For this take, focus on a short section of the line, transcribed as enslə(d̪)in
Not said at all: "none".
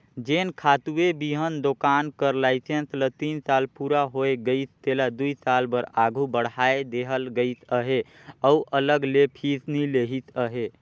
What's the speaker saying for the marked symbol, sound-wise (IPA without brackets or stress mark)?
t̪